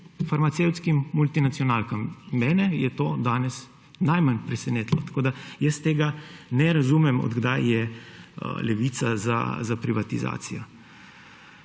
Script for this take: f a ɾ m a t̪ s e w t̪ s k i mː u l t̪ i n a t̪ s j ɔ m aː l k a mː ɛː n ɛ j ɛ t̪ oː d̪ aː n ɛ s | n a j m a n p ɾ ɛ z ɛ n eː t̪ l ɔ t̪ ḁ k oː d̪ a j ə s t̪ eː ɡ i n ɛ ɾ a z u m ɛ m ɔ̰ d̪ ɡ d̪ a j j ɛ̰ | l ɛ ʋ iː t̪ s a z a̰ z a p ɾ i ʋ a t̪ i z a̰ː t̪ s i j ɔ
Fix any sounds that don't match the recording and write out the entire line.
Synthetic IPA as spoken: f a ɾ m a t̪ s e w t̪ s k i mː u l t̪ i n a t̪ s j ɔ n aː l k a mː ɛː n ɛ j ɛ t̪ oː d̪ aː n ɛ s | n a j m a n p ɾ ɛ s ɛ n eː t̪ l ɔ t̪ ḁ k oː d̪ a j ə s t̪ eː ɡ a n ɛ ɾ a z u m ɛ m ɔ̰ d̪ ɡ d̪ a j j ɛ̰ | l ɛ ʋ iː t̪ s a z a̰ z a p ɾ i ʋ a t̪ i z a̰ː t̪ s i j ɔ